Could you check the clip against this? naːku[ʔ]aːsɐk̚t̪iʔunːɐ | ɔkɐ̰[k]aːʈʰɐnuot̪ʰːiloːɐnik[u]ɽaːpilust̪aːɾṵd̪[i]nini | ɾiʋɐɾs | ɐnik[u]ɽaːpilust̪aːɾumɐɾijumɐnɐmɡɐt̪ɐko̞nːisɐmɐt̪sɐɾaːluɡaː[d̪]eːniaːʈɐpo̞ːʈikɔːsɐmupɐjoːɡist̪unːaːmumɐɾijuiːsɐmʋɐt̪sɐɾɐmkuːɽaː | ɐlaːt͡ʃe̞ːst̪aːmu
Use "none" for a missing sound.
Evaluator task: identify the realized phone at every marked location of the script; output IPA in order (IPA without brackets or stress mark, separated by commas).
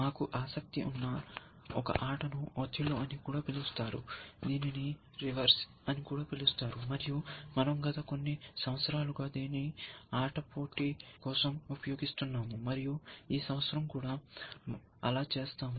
ʔ, ʔ, uː, iː, uː, d̪